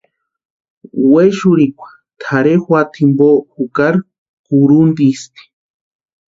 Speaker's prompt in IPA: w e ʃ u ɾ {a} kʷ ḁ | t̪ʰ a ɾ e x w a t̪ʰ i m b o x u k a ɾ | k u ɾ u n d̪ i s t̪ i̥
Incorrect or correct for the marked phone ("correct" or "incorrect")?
incorrect